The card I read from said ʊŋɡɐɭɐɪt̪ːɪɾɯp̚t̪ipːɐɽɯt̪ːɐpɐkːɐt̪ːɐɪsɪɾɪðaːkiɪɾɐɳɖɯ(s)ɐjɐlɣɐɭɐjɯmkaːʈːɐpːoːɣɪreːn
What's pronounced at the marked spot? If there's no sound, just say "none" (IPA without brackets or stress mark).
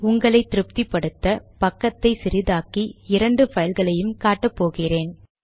f